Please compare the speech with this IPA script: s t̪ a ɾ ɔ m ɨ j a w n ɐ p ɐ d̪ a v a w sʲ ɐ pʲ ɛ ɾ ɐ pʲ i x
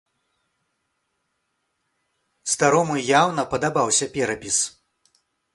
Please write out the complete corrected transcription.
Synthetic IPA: s t̪ a ɾ ɔ m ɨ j a w n ɐ p ɐ d̪ a b a w sʲ ɐ pʲ ɛ ɾ ɐ pʲ i s